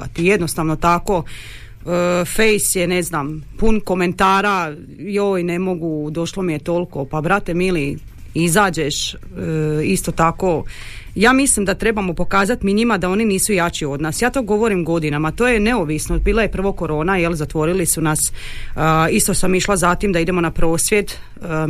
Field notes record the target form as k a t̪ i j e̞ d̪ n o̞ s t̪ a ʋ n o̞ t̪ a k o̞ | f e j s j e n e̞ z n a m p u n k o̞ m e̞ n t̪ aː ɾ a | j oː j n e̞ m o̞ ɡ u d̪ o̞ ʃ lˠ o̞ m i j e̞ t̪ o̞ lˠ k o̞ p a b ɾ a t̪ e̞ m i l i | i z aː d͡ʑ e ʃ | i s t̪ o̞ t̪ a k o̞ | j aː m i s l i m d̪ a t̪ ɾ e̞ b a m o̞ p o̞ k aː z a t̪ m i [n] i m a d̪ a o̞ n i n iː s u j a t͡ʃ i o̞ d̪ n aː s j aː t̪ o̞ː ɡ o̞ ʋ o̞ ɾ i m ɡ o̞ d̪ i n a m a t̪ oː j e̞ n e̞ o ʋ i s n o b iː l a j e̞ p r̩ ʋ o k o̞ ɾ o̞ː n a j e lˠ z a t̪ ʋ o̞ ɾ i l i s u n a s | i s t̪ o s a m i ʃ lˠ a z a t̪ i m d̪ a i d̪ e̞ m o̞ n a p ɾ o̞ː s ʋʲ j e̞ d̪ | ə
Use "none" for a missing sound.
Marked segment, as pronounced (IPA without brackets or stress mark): ɲ